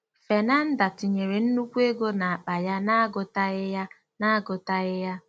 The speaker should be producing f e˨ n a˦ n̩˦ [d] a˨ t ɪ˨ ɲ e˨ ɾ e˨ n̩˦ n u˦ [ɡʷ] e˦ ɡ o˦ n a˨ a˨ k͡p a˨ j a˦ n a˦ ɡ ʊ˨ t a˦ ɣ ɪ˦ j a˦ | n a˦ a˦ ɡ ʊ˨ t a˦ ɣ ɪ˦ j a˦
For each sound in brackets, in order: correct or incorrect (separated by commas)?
correct, incorrect